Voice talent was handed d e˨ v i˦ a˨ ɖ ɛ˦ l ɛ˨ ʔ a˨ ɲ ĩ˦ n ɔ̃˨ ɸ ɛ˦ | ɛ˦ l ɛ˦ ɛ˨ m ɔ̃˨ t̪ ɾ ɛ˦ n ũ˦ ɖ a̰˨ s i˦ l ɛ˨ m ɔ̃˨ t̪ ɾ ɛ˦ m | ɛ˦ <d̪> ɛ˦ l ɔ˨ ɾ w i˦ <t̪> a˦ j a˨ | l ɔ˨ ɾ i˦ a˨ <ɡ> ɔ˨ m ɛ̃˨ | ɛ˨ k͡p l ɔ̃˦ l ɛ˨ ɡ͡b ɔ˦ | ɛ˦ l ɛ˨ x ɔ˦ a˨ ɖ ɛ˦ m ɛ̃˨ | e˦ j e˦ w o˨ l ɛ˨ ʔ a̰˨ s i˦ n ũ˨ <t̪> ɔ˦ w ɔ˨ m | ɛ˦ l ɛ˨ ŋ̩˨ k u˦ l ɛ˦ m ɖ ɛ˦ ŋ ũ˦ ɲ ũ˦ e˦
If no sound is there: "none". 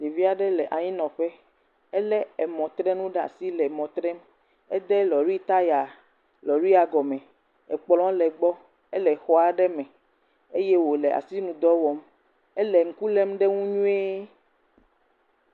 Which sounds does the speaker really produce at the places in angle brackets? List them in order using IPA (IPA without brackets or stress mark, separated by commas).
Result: d̪, t̪, ɡ, d̪